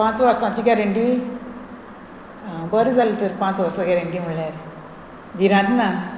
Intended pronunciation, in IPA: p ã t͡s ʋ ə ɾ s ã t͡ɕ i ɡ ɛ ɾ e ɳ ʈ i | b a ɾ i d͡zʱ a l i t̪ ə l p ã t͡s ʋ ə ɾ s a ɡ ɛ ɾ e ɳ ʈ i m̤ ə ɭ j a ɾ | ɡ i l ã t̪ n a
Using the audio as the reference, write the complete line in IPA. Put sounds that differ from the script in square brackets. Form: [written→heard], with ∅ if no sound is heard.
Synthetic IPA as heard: p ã t͡s ʋ ə ɾ s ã t͡ɕ i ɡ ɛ ɾ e ɳ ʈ i | b [a→ə] ɾ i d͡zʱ a l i t̪ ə [l→ɾ] p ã t͡s ʋ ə ɾ s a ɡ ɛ ɾ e ɳ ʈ i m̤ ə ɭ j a ɾ | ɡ i [l→ɾ] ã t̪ n a